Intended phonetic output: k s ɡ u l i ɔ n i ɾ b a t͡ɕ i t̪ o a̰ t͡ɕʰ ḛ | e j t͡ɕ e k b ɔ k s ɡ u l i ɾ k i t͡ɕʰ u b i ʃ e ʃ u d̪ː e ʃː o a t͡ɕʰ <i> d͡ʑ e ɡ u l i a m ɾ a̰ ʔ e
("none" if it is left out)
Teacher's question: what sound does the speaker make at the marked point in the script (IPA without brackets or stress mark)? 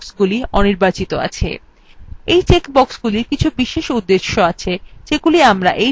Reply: e